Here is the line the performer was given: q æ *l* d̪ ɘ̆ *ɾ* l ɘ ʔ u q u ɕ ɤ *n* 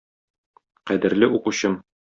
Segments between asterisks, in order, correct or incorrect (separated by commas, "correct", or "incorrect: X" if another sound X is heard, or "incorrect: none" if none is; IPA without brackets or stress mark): incorrect: none, correct, incorrect: m